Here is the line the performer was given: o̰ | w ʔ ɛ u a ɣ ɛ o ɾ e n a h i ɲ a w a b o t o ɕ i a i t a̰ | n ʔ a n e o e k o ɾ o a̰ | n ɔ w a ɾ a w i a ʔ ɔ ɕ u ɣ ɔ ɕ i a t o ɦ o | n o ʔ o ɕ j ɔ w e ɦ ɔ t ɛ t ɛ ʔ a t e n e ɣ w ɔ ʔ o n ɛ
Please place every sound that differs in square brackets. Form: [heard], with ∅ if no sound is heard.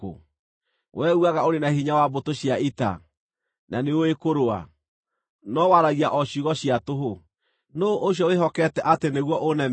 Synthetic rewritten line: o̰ | w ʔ ɛ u a ɣ [a] o ɾ e n a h i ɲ a w a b o t o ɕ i a i t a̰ | n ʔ a n e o e k o ɾ o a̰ | n ɔ w a ɾ a [ɣ] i a ʔ ɔ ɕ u ɣ ɔ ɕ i a t o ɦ o | n o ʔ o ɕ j ɔ w e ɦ ɔ [k] ɛ t ɛ ʔ a t e n e ɣ w ɔ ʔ o n ɛ